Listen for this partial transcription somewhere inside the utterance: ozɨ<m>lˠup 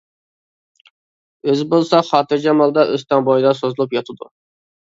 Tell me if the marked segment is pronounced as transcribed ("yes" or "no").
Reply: no